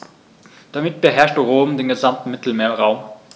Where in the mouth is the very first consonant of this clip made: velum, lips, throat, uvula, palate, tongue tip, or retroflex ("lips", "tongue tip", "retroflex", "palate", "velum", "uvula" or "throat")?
tongue tip